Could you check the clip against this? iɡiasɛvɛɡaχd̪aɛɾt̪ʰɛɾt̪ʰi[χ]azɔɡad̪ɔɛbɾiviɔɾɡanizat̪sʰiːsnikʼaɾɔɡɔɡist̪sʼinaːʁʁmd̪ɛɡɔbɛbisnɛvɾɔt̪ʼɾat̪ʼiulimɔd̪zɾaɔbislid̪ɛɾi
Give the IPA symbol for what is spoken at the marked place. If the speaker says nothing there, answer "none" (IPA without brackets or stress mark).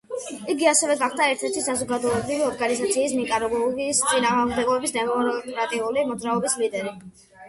s